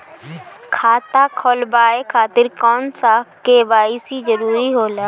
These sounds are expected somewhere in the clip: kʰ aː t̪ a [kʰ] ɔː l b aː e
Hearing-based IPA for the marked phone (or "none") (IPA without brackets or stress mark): kʰ